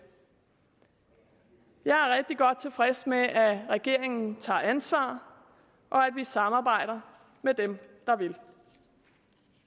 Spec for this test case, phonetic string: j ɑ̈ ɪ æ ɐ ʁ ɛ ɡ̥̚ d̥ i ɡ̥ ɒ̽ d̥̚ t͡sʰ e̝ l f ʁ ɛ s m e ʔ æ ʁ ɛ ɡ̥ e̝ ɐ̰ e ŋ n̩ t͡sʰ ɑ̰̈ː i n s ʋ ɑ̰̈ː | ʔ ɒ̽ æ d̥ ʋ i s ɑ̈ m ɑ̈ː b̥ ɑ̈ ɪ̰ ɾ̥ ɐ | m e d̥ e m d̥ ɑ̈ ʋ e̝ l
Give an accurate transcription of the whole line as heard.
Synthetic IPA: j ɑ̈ ɪ æ ɐ ʁ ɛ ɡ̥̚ d̥ i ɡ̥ ɒ̽ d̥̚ t͡sʰ e̝ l f ʁ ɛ s m e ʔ æ ʁ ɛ ɡ̥ e̝ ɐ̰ e ŋ n̩ t͡sʰ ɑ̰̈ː æ n s ʋ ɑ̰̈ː | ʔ ɒ̽ æ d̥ ʋ i s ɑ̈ m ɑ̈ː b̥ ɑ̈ ɪ̰ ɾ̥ ɐ | m e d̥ e m d̥ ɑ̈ ʋ e̝ l